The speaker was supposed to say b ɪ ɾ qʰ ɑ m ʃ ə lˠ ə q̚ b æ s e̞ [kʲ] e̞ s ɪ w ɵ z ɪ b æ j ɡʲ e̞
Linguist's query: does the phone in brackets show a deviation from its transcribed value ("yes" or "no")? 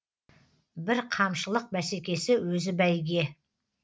no